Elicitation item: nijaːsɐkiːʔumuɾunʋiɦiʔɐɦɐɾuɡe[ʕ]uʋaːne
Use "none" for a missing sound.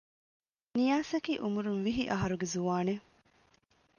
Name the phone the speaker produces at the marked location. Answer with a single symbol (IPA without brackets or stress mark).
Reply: z